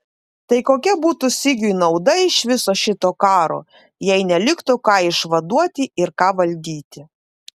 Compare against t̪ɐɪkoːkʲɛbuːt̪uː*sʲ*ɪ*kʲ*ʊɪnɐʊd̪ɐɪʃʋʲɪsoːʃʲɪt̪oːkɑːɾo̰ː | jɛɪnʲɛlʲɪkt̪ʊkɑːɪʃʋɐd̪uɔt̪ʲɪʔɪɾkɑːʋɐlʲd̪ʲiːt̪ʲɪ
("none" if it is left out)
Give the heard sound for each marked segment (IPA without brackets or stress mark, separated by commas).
sʲ, ɡʲ